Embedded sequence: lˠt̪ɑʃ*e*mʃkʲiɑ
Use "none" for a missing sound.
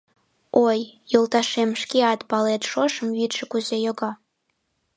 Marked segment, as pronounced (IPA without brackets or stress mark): e